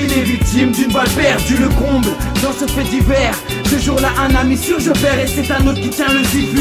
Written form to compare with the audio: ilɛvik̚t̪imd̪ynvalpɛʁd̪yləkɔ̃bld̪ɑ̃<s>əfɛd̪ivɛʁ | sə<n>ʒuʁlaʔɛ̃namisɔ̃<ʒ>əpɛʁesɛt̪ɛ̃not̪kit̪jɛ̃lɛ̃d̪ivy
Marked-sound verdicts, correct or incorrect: correct, incorrect, correct

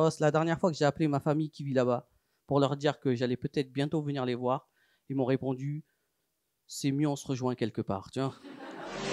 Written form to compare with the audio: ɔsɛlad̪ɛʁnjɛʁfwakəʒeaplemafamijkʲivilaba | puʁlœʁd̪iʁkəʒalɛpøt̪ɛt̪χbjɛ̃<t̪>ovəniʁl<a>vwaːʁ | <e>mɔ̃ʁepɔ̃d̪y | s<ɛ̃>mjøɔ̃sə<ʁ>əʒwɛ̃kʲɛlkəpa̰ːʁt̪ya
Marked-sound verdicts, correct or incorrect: correct, incorrect, correct, incorrect, correct

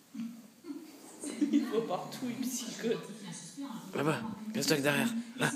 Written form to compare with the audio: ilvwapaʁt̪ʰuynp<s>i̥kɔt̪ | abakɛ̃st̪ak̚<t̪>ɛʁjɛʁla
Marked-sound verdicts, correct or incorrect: correct, incorrect

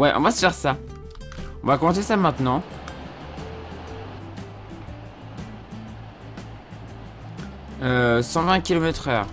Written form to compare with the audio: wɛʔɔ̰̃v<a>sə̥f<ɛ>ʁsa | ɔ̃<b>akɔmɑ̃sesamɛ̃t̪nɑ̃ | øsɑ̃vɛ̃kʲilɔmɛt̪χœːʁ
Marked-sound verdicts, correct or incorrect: correct, correct, incorrect

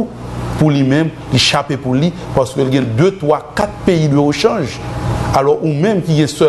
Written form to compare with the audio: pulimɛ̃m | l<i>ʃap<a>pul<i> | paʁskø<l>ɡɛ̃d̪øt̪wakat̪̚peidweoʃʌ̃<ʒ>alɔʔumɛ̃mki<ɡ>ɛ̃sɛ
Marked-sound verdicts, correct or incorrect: correct, incorrect, correct, correct, correct, correct

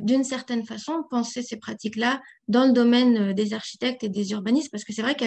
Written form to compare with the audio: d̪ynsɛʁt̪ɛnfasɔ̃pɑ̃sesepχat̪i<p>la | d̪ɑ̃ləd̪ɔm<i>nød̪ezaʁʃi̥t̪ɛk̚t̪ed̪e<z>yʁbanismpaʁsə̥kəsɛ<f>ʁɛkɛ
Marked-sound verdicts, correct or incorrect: incorrect, incorrect, correct, incorrect

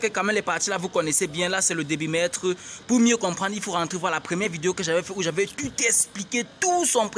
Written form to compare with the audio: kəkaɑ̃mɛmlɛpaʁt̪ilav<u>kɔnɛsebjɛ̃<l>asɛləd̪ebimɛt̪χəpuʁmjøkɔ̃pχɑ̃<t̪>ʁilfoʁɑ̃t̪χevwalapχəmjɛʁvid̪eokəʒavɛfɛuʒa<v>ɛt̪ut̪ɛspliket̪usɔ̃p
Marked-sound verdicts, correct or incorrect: correct, correct, incorrect, correct

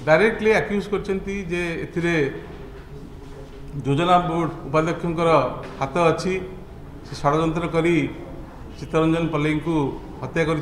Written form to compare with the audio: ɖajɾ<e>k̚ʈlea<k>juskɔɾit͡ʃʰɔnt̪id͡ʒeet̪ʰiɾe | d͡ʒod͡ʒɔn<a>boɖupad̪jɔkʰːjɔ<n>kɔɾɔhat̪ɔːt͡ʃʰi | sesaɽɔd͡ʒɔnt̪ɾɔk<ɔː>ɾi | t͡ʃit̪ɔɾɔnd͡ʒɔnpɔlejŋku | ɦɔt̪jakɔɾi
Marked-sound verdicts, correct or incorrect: correct, correct, correct, incorrect, incorrect

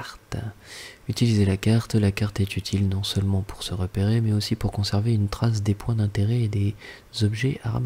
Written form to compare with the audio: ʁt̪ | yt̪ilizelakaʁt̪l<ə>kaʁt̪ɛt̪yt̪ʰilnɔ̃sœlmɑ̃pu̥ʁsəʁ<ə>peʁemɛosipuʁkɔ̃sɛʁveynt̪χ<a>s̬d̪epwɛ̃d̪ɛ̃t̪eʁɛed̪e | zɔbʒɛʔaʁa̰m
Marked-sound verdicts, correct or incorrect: incorrect, correct, correct

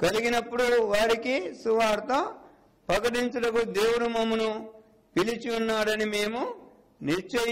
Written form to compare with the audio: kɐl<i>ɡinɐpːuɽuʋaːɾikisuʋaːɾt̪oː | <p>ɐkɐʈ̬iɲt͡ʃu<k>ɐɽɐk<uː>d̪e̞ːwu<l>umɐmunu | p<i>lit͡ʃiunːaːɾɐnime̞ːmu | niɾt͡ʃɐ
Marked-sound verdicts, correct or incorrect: correct, correct, incorrect, incorrect, incorrect, correct

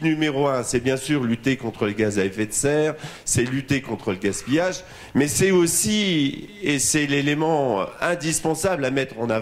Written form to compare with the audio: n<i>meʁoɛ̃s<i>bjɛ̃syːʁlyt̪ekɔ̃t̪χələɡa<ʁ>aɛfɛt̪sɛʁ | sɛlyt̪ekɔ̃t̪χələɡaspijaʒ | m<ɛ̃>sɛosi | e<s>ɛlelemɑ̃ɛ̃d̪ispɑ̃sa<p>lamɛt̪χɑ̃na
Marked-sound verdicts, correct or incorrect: incorrect, incorrect, incorrect, incorrect, correct, incorrect

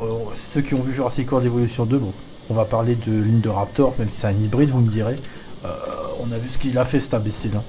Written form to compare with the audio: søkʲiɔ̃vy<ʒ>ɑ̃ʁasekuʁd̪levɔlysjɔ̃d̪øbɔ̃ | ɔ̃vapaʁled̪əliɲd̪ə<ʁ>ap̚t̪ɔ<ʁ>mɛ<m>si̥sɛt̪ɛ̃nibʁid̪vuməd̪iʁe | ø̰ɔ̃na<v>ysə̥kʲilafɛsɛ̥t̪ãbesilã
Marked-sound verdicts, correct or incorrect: correct, correct, correct, correct, correct

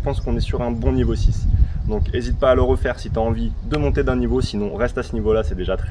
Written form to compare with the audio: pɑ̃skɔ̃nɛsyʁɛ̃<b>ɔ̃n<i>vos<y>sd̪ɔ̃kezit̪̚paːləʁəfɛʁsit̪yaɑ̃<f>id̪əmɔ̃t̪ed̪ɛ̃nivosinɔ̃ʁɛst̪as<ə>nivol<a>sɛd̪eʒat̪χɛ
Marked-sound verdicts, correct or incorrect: correct, correct, incorrect, incorrect, correct, correct

